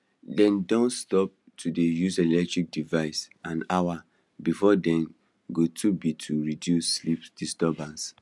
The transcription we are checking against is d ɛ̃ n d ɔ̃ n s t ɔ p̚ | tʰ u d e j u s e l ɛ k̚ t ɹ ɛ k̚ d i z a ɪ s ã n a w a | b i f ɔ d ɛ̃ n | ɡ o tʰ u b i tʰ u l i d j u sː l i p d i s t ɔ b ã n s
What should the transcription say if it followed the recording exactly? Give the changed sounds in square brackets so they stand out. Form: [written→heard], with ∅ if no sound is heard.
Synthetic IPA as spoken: d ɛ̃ n d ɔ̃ n s t ɔ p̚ | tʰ u d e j u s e l ɛ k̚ t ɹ [ɛ→i] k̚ d i [z→v] a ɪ s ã n a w a | b i f ɔ d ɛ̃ n | ɡ o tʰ u b i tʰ u [l→ɹ] i d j u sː l i p d i s t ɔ b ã n s